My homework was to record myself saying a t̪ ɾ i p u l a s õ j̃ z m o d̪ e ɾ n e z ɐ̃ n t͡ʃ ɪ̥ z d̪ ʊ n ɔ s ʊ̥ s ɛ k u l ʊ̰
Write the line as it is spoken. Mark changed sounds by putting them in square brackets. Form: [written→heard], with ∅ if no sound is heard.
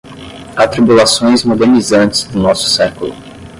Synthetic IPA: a t̪ ɾ i [p→b] u l a s õ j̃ z m o d̪ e ɾ n [e→i] z ɐ̃ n t͡ʃ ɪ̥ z d̪ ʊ n ɔ s ʊ̥ s ɛ k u l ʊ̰